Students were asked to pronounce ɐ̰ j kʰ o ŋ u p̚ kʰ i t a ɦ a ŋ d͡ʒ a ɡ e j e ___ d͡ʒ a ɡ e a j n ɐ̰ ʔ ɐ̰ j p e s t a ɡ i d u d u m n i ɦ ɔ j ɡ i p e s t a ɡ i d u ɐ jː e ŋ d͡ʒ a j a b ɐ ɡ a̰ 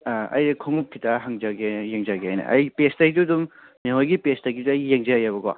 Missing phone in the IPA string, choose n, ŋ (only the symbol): ŋ